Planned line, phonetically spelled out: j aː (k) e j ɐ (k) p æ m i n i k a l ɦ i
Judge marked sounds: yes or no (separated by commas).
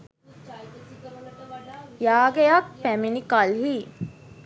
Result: no, yes